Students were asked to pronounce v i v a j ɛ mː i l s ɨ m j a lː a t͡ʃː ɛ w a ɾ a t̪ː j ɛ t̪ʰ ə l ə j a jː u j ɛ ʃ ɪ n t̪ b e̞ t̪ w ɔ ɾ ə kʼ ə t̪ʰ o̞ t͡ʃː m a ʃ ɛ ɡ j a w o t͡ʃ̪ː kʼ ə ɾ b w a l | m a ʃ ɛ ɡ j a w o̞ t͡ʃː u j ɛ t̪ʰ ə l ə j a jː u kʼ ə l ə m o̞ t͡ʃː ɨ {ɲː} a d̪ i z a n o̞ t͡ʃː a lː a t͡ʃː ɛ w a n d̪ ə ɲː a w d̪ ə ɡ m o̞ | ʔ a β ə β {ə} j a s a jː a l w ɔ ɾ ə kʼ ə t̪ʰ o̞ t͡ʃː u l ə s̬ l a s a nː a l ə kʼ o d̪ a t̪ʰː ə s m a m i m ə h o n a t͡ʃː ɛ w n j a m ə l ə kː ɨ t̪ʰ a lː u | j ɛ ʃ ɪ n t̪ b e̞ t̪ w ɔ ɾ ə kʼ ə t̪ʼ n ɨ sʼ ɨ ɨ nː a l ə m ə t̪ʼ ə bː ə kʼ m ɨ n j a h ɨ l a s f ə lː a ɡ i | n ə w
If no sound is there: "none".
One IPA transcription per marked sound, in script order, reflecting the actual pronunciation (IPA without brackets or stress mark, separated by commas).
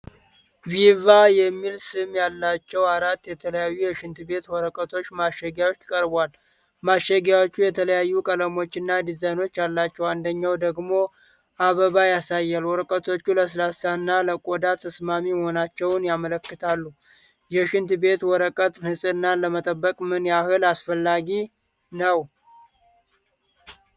nː, a